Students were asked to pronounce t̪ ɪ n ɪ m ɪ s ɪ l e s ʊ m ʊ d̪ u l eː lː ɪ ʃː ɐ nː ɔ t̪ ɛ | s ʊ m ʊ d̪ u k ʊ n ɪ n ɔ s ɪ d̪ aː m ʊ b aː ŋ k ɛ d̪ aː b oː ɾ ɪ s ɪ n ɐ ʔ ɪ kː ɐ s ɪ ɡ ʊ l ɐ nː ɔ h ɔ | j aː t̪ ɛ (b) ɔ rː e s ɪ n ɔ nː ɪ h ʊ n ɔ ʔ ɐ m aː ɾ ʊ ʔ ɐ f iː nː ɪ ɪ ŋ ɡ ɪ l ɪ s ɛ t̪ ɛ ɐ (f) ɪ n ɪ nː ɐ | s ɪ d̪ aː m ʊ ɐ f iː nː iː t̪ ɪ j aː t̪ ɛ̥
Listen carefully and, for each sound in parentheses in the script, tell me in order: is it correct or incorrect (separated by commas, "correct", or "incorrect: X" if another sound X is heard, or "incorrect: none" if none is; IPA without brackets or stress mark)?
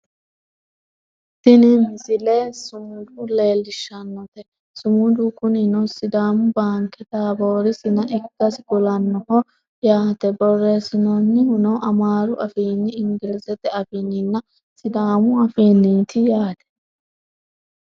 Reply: correct, correct